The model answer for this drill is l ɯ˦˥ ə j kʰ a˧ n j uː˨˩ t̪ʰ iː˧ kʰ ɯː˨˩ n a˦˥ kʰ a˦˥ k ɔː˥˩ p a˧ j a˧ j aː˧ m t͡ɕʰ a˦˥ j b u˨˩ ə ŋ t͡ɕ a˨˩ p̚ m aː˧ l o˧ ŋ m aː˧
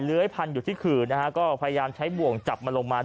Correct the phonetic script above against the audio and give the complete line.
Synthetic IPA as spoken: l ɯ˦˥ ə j pʰ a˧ n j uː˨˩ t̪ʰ iː˥˩ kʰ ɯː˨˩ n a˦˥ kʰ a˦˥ k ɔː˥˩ pʰ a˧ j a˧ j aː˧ m t͡ɕʰ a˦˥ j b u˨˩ ə ŋ t͡ɕ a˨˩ p̚ m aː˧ l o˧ ŋ m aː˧